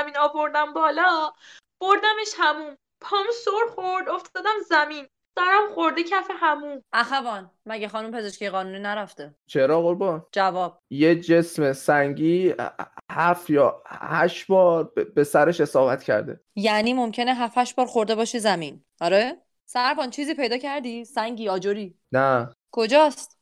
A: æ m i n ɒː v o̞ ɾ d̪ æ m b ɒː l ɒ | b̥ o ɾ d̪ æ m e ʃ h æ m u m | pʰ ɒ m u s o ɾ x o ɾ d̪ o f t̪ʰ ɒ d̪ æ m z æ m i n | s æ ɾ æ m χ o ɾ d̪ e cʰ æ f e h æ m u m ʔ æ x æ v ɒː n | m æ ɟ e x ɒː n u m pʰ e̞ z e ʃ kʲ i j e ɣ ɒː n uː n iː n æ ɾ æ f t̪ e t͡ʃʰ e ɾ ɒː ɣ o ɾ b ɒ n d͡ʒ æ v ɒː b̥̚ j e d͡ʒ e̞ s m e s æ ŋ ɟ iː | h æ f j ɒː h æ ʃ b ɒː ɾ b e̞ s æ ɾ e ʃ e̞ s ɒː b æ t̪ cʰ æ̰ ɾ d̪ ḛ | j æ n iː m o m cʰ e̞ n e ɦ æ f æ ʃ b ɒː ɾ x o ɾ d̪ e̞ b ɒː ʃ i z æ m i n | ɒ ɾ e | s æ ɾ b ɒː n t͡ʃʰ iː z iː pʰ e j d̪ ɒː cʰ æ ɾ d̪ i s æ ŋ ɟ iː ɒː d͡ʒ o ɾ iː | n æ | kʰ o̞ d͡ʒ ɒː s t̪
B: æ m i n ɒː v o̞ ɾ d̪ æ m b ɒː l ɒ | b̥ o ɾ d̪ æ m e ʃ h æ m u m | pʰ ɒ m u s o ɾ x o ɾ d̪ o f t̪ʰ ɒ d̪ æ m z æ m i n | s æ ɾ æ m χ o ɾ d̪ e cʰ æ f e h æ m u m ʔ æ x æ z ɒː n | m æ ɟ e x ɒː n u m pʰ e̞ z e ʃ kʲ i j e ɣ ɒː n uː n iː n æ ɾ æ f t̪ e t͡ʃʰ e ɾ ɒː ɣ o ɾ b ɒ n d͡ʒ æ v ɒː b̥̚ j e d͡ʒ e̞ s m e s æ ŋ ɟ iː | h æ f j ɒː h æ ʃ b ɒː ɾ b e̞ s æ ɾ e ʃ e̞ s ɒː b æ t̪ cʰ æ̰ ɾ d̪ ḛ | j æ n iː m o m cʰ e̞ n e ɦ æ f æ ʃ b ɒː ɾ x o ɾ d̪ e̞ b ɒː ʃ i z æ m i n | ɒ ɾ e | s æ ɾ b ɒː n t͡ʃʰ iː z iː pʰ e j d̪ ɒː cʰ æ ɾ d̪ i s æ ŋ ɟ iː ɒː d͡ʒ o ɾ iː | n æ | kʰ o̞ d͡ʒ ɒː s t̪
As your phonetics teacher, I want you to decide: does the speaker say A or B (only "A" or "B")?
A